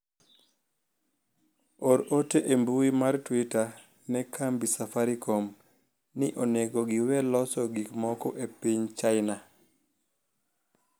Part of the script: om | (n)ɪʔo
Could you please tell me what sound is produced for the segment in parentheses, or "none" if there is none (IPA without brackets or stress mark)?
n